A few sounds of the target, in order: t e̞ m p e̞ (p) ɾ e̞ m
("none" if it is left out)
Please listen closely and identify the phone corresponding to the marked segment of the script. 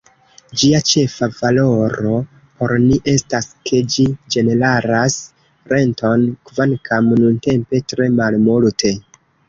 t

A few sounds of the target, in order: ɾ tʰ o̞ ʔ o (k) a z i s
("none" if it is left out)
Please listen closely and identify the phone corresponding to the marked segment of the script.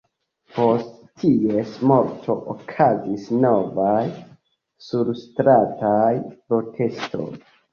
kʰ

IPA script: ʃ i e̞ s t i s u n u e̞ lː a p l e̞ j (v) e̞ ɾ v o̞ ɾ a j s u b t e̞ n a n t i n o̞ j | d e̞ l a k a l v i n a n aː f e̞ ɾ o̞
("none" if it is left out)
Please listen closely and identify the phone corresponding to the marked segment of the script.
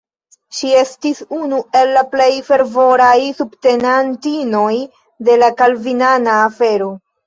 f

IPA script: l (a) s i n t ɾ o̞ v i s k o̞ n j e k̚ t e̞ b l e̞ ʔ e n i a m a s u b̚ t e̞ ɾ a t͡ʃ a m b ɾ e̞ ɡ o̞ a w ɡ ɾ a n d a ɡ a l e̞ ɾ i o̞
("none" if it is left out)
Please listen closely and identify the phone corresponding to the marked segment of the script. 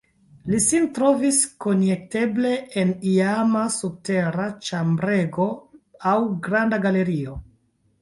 i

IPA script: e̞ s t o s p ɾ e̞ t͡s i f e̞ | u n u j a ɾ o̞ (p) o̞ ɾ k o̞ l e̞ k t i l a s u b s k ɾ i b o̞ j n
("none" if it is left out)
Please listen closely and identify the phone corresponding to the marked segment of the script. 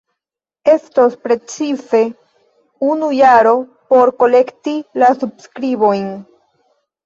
p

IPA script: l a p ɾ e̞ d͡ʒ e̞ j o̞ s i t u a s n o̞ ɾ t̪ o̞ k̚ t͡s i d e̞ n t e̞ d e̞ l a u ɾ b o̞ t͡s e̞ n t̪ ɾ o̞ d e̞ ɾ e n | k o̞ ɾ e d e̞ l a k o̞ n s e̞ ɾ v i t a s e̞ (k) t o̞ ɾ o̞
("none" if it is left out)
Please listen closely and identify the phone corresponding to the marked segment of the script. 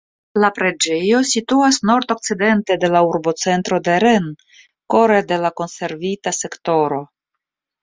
k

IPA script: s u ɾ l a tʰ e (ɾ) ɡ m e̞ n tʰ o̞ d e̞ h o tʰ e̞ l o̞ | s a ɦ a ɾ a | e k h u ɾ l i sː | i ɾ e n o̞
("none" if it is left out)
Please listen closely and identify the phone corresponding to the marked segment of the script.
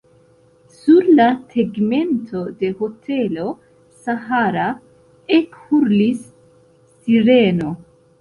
none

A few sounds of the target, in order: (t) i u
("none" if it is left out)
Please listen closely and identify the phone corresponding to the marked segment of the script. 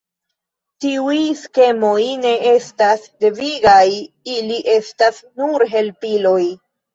t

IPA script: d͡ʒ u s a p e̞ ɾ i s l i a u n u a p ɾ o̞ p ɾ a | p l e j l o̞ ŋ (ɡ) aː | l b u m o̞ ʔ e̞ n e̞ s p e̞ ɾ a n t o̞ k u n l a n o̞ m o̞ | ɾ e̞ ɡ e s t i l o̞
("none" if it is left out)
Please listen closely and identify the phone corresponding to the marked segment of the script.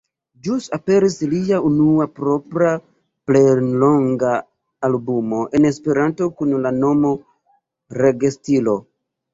ɡ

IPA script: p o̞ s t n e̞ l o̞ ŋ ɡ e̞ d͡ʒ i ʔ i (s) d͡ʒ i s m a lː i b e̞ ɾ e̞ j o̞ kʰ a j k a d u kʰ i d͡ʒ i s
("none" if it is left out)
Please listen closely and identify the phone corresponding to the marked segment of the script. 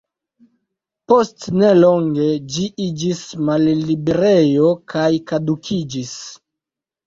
none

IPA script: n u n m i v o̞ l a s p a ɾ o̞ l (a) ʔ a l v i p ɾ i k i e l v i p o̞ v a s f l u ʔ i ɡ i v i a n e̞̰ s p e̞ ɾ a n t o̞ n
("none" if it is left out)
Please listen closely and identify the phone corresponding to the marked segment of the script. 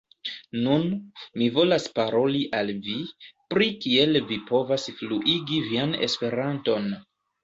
i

